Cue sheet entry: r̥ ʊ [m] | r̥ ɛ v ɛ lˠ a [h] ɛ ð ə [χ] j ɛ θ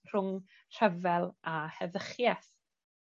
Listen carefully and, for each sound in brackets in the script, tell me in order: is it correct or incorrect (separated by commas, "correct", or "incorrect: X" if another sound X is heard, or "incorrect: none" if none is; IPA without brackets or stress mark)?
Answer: incorrect: ŋ, correct, correct